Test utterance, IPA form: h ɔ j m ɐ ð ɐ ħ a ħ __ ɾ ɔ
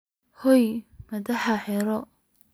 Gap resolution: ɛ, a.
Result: ɛ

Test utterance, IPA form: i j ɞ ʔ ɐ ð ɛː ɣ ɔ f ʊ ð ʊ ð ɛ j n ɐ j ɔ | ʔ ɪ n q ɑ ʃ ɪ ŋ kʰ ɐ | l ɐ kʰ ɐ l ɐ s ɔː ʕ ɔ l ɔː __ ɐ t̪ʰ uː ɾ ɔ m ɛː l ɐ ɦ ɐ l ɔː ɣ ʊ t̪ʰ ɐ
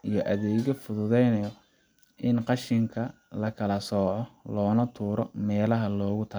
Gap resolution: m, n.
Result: n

